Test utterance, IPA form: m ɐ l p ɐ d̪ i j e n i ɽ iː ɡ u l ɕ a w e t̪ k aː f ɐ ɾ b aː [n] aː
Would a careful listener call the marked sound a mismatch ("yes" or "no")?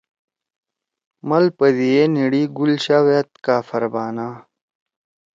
no